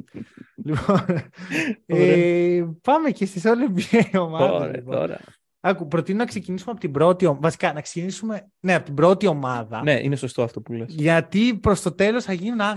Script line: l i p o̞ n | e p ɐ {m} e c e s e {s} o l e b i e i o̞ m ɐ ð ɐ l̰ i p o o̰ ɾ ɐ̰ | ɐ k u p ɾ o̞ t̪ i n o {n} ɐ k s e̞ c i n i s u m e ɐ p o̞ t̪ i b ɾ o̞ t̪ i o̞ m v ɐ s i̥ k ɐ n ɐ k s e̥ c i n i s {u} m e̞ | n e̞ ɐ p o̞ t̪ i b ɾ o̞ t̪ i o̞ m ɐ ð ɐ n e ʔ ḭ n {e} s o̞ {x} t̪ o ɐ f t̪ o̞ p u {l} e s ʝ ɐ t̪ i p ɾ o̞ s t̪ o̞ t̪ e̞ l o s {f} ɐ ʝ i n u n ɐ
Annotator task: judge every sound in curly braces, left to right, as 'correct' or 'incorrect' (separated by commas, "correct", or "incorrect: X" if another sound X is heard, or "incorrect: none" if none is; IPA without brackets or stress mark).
correct, correct, correct, correct, correct, incorrect: s, correct, incorrect: θ